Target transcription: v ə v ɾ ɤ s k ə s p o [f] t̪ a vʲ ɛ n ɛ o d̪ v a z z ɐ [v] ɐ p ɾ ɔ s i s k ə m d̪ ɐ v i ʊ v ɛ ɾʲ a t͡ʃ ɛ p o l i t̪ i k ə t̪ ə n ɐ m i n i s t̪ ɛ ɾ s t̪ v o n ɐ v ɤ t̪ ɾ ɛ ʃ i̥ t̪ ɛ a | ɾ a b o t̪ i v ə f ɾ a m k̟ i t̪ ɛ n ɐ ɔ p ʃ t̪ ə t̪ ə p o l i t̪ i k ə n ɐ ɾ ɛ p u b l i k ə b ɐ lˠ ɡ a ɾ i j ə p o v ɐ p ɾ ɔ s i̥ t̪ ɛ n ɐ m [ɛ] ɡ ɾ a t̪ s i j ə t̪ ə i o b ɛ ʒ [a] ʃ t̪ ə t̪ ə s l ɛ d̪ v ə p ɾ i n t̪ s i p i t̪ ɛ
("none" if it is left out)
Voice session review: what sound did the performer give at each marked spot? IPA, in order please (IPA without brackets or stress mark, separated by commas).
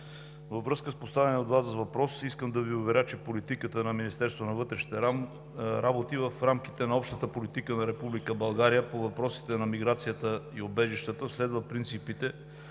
s, v, i, i